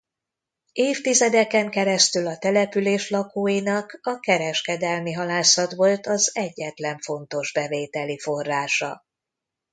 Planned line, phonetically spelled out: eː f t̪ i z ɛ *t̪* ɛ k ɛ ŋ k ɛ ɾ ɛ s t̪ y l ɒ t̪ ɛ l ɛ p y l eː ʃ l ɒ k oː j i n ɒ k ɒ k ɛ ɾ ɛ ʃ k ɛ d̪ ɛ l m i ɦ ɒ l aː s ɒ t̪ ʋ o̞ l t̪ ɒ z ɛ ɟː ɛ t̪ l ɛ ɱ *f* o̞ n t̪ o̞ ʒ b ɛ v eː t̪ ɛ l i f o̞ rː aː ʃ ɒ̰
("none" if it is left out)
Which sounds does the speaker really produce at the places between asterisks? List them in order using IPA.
d̪, f

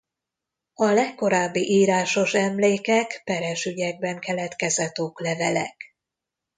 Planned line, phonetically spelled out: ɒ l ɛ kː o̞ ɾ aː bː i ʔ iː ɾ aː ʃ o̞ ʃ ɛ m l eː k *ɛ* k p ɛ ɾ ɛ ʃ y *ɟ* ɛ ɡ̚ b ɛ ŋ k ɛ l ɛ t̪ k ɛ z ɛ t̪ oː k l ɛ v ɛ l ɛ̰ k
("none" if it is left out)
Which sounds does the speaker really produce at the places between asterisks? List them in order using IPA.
ɛ, ɟ

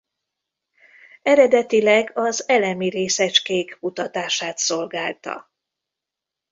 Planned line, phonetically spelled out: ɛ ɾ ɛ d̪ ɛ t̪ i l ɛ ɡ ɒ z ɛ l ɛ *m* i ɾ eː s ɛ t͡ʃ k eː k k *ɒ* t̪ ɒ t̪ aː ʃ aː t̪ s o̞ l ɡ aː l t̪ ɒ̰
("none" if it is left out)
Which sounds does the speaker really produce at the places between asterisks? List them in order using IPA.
m, u

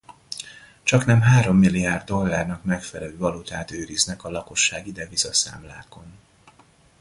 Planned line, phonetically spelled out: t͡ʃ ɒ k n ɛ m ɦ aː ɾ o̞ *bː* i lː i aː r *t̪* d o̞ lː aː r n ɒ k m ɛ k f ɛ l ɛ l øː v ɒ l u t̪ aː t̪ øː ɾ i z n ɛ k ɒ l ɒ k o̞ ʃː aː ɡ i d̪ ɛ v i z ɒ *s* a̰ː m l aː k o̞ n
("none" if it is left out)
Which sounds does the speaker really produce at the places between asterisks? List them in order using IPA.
mː, d̪, s

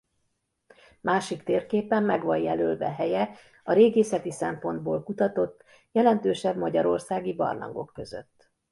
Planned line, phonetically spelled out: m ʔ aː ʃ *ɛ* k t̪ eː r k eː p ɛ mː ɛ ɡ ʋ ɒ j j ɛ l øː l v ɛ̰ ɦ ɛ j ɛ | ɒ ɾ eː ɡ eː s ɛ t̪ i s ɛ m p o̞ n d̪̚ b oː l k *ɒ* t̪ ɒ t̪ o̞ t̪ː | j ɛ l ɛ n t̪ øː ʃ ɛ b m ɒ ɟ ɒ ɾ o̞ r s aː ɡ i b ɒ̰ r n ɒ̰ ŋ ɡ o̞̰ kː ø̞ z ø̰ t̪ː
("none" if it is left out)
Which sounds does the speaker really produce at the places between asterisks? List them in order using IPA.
i, u

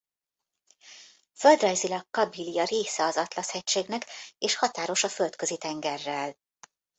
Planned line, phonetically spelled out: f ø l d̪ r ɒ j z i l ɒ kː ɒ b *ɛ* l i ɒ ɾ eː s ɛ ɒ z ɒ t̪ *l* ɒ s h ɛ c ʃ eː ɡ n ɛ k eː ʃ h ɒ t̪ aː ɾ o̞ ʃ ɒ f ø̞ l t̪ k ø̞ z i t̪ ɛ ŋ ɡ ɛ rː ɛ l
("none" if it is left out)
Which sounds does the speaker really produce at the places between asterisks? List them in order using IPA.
i, l

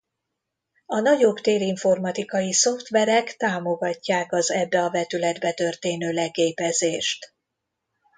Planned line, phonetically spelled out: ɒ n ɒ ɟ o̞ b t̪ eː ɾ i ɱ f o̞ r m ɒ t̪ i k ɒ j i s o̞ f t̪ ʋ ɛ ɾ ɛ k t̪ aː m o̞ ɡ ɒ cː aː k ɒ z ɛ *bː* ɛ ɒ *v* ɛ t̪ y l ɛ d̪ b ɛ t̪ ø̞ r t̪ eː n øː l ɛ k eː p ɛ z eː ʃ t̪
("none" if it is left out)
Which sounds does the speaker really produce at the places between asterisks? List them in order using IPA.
bː, v

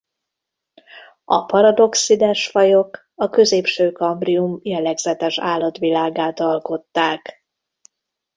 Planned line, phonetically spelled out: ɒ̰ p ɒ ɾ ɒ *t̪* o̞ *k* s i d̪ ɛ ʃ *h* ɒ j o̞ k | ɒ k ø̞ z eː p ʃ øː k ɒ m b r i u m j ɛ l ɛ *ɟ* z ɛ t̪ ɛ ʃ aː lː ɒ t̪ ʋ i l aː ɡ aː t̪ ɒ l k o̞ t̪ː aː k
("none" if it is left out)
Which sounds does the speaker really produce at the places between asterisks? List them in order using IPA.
d̪, k, f, ɡ

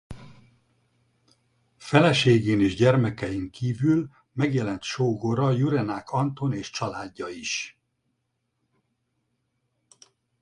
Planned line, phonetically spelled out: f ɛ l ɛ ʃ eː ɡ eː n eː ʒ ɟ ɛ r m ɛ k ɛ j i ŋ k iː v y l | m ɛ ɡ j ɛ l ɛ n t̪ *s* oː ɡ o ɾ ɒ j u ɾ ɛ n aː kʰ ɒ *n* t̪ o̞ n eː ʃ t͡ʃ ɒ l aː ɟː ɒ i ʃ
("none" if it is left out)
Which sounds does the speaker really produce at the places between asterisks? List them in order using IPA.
ʃ, n

